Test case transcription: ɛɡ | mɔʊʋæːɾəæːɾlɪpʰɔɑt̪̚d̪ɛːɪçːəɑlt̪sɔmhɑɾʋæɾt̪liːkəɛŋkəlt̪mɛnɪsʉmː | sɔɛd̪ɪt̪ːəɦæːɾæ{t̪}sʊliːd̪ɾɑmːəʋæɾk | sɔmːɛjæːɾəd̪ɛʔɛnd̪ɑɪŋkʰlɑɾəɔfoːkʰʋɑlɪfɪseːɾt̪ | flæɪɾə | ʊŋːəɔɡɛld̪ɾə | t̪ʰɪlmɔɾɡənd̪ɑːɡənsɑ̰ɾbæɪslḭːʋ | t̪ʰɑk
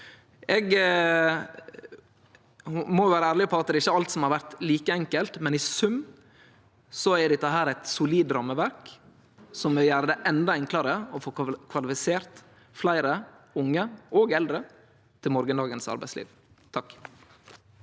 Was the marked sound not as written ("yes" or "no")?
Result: no